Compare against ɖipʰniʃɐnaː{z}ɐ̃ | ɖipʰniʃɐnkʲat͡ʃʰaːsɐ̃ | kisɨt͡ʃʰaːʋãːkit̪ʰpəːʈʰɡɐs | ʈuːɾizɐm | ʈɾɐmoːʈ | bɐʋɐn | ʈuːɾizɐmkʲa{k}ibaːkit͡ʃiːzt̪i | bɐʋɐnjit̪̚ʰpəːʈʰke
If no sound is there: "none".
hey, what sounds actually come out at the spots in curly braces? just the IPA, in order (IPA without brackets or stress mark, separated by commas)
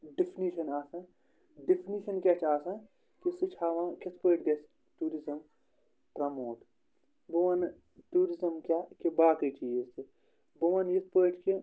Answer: s, k